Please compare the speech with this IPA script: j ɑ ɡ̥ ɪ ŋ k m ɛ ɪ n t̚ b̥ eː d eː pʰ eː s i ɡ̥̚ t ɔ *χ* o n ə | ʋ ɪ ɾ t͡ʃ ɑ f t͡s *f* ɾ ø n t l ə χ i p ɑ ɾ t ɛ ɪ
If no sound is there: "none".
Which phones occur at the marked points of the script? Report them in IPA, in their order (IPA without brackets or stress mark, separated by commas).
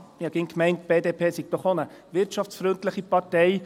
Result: χ, f